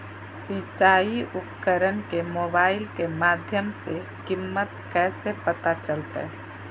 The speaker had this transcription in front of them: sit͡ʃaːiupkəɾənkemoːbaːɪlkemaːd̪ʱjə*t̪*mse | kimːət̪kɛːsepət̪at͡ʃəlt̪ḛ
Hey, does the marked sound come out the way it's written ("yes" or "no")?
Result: no